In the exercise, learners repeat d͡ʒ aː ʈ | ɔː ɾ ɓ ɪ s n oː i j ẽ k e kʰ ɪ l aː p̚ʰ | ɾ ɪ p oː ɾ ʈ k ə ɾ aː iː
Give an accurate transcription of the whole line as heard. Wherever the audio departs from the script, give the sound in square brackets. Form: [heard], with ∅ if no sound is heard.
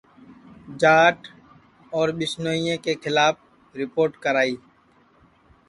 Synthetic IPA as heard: d͡ʒ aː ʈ | ɔː ɾ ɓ ɪ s n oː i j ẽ k e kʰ ɪ l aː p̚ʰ | ɾ ɪ p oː ɾ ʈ k ə ɾ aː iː